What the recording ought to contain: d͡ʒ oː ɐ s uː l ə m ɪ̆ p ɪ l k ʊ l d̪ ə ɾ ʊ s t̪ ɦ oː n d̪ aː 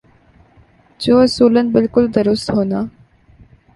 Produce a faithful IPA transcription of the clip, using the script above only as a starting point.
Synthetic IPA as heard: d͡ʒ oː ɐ s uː l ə n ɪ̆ b ɪ l k ʊ l d̪ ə ɾ ʊ s t̪ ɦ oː n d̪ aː